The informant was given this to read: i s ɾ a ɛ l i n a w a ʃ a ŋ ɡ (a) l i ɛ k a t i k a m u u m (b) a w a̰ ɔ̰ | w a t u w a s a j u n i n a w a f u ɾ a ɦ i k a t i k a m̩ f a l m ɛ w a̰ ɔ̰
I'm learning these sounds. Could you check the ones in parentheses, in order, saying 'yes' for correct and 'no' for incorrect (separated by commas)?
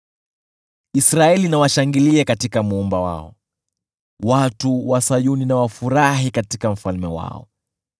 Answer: no, yes